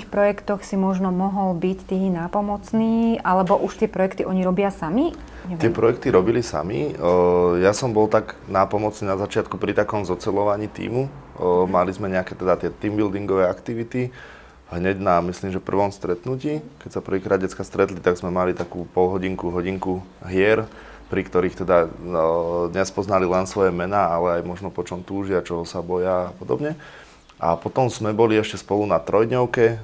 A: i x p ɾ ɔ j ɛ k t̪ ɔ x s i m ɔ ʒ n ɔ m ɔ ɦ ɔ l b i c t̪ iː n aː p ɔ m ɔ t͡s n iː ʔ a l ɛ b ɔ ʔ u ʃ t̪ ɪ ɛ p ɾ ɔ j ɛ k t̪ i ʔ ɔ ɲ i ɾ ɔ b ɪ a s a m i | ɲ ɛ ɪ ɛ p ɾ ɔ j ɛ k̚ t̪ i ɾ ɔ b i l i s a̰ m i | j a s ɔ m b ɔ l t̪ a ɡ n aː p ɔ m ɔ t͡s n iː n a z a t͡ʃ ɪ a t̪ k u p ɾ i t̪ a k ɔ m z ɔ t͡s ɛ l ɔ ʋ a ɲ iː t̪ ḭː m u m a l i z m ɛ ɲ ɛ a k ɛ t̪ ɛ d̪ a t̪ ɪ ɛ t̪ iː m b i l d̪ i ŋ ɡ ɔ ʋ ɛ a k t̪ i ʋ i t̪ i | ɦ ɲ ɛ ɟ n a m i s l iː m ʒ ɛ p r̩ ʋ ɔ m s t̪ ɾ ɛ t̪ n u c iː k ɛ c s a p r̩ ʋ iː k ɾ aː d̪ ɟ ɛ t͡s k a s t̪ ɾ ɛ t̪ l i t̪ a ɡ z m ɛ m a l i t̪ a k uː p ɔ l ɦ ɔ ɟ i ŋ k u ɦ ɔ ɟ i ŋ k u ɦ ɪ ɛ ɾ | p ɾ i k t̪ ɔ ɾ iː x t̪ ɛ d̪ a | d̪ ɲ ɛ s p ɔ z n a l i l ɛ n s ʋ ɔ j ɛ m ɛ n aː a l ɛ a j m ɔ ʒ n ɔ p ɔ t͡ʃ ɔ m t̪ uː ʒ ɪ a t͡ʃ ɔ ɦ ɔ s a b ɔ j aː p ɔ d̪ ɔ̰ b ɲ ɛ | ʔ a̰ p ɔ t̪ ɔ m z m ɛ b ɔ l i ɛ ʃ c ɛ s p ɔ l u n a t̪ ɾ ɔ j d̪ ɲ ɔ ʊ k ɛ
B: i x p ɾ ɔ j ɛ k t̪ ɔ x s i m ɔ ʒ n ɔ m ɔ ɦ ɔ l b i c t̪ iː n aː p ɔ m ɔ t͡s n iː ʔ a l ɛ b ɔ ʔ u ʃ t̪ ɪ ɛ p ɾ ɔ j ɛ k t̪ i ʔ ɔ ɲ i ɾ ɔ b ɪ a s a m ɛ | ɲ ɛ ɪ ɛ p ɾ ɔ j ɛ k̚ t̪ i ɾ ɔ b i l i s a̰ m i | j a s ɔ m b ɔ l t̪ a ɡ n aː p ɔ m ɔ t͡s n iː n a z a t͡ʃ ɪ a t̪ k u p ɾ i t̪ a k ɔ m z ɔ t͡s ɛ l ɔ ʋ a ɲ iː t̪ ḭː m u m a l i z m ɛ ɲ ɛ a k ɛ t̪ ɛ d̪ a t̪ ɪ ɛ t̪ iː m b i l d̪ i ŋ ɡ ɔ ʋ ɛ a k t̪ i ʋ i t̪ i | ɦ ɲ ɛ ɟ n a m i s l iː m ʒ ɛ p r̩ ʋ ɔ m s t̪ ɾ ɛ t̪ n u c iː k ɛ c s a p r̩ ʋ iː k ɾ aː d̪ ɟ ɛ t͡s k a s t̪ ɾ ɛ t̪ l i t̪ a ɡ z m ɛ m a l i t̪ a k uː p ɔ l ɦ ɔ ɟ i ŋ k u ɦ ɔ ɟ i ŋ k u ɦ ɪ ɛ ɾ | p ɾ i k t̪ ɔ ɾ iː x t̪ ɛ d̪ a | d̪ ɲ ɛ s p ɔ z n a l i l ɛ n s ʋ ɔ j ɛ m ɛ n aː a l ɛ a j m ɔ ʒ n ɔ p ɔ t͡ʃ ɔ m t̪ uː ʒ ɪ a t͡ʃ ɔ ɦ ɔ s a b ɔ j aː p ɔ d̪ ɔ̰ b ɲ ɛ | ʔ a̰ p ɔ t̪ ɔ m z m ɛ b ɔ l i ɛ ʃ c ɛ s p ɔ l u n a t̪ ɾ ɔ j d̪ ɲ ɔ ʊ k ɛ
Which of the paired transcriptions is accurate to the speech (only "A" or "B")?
A